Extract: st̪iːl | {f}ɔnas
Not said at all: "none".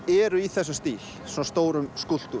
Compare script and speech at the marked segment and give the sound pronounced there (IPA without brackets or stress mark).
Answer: s